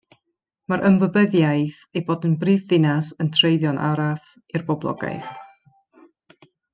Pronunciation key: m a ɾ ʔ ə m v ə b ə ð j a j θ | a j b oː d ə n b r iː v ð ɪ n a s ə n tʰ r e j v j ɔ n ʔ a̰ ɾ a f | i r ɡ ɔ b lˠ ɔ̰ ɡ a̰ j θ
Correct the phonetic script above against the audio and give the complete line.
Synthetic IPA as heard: m a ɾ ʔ ə m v ə b ə ð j a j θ | e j b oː d ə n b r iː v ð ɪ n a s ə n tʰ r e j ð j ɔ n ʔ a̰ ɾ a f | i r b ɔ b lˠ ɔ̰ ɡ a̰ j θ